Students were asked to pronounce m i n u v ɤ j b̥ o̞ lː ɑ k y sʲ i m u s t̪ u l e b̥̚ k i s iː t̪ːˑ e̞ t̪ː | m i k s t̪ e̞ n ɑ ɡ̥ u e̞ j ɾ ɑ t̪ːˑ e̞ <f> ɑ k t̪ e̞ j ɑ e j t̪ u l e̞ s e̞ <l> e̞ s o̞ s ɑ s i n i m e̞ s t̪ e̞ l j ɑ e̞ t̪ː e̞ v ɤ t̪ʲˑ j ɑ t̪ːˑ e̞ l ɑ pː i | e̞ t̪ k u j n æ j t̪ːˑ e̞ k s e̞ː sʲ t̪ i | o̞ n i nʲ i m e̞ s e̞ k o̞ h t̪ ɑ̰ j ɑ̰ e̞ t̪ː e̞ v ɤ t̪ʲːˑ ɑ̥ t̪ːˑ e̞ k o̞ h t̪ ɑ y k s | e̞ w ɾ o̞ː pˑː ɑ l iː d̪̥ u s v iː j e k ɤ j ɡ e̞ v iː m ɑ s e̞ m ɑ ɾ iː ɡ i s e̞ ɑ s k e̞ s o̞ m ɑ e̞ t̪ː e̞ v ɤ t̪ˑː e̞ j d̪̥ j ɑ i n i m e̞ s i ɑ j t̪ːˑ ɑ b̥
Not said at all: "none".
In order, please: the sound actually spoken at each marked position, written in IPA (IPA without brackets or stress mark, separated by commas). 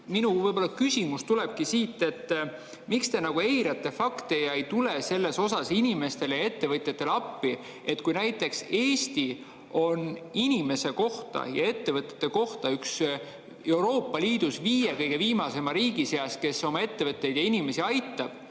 f, lː